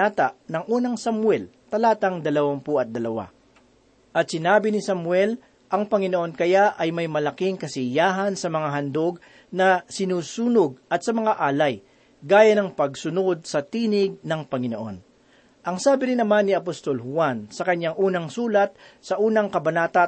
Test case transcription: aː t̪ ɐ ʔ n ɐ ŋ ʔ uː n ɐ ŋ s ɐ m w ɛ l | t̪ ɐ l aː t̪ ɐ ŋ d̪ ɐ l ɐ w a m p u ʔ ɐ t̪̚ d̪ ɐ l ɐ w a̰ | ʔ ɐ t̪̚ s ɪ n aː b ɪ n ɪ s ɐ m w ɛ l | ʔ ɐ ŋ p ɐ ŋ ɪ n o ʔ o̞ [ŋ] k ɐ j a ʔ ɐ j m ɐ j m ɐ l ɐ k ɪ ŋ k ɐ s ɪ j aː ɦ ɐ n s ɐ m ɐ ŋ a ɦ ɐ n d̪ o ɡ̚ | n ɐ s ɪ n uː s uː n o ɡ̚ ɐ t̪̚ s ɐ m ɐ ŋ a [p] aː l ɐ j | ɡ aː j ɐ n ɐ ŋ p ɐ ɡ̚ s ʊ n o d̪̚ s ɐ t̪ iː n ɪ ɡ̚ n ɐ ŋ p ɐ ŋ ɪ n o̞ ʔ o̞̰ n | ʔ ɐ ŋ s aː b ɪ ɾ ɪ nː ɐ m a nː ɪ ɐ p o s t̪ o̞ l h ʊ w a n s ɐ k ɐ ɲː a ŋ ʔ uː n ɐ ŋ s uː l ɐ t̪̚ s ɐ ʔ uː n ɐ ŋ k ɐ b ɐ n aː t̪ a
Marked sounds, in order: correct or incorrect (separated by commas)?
incorrect, incorrect